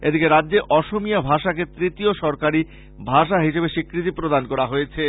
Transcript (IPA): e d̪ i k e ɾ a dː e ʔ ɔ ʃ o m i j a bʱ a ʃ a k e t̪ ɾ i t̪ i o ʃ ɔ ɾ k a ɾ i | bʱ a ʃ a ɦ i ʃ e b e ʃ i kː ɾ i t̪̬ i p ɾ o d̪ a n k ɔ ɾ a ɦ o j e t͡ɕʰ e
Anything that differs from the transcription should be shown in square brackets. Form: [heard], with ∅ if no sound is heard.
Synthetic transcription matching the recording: e d̪ i k e ɾ a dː e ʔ ɔ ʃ o m i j a bʱ a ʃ a k e t̪ ɾ i t̪ i o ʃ ɔ ɾ k a ɾ i | bʱ a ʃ a ɦ i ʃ e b e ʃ i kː ɾ i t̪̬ i p ɾ o d̪ a n k ɔ ɾ a ɦ o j e t͡ɕʰ e